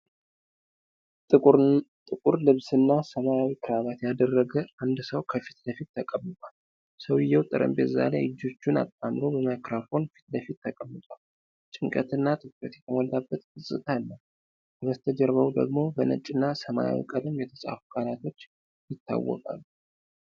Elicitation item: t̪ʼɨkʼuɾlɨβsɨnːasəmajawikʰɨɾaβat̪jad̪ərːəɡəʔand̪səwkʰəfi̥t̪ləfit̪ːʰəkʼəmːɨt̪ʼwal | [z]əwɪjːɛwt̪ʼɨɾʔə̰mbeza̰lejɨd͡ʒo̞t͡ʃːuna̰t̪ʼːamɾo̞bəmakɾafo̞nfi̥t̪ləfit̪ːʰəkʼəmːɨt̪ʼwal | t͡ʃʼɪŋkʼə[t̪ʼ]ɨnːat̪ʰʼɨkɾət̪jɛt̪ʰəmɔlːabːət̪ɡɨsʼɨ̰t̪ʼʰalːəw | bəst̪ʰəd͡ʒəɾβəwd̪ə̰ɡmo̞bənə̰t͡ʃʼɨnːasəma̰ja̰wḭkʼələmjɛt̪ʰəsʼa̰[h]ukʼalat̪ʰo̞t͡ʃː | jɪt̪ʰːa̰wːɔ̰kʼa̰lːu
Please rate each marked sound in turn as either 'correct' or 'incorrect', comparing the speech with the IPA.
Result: incorrect: s, incorrect: t̪, incorrect: f

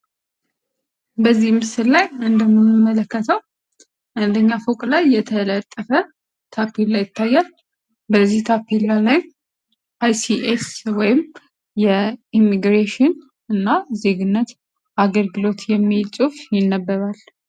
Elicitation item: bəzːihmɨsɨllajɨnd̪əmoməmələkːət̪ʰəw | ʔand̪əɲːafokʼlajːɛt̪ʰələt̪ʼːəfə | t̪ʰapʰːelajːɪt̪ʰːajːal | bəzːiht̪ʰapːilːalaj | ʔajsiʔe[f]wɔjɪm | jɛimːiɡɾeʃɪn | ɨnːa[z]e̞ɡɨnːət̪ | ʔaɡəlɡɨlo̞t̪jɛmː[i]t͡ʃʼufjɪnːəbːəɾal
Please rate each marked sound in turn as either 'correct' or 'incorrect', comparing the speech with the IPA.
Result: incorrect: s, correct, correct

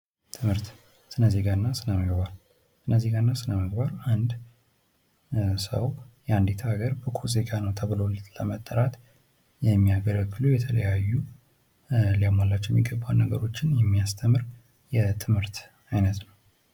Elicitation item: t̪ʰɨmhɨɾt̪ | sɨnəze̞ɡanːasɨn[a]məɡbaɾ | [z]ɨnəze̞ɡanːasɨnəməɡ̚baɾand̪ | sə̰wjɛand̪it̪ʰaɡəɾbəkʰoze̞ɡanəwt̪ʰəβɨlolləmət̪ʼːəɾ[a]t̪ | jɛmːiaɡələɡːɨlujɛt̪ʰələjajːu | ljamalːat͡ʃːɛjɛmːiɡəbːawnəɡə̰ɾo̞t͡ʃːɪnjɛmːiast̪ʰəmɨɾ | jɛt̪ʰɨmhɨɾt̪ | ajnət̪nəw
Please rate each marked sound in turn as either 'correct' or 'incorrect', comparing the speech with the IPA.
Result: incorrect: ə, incorrect: s, correct

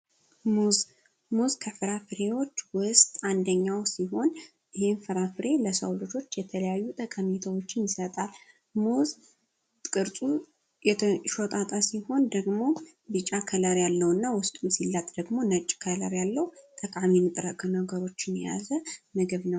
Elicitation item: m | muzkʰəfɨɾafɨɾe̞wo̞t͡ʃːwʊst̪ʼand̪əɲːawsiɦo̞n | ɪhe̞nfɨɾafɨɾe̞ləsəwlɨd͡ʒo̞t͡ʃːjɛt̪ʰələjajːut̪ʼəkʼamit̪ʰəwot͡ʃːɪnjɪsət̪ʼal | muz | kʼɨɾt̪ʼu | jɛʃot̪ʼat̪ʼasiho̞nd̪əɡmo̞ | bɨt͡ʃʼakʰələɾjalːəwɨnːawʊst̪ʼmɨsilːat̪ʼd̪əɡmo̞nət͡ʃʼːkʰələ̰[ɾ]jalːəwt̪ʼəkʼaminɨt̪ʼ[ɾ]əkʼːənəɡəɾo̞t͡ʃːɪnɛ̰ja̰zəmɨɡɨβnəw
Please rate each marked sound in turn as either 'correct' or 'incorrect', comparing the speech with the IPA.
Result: correct, correct

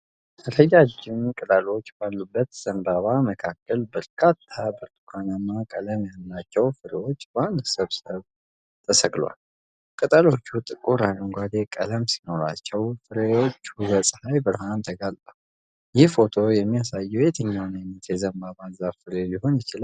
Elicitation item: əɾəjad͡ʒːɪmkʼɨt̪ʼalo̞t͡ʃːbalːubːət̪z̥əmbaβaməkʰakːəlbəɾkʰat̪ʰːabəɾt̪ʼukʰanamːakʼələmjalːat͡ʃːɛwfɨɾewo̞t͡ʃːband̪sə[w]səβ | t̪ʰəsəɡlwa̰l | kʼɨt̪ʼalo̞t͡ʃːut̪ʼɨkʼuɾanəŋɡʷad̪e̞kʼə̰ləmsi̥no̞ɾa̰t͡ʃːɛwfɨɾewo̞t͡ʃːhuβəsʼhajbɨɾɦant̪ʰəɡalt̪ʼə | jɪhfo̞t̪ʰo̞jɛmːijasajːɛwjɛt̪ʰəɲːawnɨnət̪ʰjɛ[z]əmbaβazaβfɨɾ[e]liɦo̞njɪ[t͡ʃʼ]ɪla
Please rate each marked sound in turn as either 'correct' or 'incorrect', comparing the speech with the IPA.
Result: incorrect: β, correct, correct, incorrect: t͡ʃ

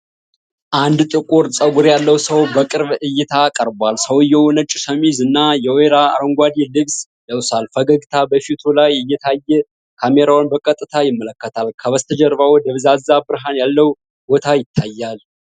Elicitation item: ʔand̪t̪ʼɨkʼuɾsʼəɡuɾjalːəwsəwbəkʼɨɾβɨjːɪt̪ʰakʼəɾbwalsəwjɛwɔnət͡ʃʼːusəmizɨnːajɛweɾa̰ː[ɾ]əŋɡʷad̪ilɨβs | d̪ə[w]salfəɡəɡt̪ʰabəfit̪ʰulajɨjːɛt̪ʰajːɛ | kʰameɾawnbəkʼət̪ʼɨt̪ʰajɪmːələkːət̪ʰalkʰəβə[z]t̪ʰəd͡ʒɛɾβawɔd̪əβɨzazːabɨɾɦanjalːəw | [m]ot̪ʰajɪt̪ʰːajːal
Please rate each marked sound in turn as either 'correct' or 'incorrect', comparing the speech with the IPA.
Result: correct, correct, incorrect: s, incorrect: b

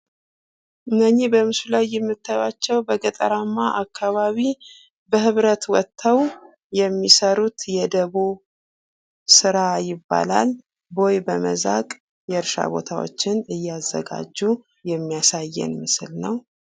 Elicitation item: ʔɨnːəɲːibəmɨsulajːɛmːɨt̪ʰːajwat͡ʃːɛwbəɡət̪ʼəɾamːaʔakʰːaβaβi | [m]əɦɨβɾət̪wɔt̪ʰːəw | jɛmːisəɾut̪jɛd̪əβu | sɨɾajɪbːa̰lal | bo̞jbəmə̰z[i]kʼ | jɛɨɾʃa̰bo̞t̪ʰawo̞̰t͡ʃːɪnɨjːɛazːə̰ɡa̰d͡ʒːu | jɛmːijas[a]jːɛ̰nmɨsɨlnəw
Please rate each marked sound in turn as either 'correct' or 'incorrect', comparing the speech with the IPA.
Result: incorrect: b, incorrect: a, correct

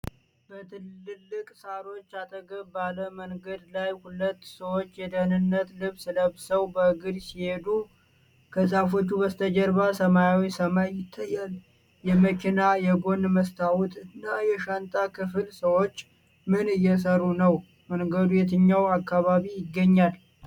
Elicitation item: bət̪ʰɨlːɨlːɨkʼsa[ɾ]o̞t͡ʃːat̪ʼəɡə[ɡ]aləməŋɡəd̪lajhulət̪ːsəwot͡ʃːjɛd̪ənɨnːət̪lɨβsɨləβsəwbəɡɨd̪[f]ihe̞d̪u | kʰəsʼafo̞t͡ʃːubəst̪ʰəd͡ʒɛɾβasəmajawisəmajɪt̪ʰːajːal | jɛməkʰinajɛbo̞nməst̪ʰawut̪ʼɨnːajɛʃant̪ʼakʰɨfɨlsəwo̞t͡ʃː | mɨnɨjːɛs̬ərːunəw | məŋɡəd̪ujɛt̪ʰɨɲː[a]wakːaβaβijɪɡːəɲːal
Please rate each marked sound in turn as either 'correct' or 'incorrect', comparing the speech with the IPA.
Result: correct, incorrect: b, incorrect: s, correct

